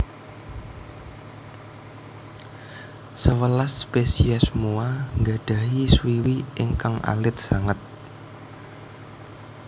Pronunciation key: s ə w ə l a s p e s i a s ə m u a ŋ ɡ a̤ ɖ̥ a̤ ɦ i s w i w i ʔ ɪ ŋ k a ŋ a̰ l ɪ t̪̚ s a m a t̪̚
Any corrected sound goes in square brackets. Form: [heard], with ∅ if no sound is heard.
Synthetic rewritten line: s ə w ə l a s p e s i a s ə m u a ŋ ɡ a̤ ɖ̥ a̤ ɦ i s w i w i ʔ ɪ ŋ k a ŋ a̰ l ɪ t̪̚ s a [ŋ] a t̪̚